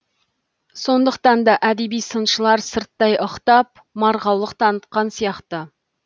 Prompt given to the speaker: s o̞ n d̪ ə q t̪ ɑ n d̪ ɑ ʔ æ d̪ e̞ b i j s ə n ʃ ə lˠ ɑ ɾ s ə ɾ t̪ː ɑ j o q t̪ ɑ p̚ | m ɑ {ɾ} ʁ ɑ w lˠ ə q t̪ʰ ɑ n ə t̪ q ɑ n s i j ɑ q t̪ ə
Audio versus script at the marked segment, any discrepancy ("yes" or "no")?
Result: no